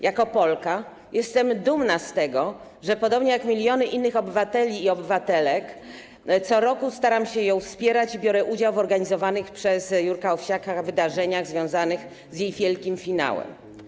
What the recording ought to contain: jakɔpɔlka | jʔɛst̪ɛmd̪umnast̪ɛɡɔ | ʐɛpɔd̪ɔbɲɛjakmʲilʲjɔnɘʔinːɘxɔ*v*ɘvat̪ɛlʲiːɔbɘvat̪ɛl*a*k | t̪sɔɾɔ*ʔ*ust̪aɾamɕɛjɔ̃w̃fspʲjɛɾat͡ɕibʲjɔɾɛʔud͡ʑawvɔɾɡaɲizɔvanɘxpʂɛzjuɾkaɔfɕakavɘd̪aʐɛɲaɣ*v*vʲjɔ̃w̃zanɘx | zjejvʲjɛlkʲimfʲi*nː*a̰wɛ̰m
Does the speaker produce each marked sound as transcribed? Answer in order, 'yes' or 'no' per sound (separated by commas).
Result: no, no, no, no, no